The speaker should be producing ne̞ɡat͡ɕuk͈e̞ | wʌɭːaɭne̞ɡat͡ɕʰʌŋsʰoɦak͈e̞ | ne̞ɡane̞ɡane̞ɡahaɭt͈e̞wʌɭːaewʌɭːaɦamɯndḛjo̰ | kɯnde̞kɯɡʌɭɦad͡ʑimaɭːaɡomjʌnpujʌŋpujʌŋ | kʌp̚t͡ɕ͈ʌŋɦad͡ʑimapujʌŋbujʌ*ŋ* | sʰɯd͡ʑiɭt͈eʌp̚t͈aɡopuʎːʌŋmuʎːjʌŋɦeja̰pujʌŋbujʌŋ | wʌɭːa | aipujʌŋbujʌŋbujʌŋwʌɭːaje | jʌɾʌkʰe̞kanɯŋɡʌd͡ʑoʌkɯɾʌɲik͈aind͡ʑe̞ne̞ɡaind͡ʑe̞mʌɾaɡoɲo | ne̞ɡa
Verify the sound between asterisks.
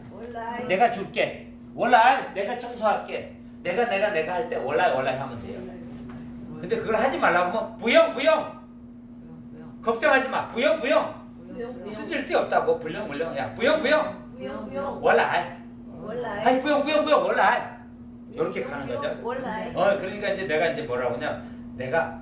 correct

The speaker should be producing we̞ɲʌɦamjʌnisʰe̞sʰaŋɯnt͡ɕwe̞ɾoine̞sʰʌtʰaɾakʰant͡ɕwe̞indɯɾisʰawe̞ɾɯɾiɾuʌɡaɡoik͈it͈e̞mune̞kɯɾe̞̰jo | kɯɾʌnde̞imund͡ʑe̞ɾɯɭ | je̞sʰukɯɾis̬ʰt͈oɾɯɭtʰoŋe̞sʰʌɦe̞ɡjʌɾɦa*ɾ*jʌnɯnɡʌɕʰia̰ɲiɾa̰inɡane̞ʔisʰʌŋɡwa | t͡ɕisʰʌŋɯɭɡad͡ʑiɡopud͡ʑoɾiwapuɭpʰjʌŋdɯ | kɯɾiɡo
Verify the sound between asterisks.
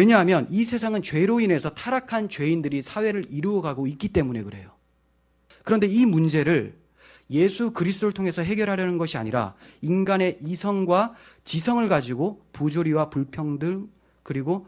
correct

